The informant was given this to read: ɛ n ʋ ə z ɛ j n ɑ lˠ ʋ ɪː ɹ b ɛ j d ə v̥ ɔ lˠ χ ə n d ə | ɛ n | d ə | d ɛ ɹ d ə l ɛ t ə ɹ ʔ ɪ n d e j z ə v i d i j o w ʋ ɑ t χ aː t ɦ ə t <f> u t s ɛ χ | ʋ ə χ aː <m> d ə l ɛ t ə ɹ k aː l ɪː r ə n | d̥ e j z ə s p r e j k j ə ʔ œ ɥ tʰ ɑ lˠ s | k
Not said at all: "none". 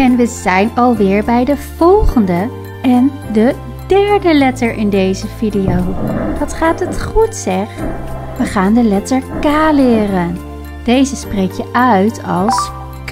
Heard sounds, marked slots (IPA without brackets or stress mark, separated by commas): χ, n